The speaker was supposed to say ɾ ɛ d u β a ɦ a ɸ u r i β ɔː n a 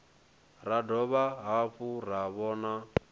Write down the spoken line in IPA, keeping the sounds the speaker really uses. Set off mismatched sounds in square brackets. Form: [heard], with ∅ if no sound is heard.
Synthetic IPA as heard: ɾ [a] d [ɔ] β a ɦ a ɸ u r [a] β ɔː n a